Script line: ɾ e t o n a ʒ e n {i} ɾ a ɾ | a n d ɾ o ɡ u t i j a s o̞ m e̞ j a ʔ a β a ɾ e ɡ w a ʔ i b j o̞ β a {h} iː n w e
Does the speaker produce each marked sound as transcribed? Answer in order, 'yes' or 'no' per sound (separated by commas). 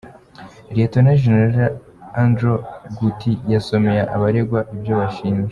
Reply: no, no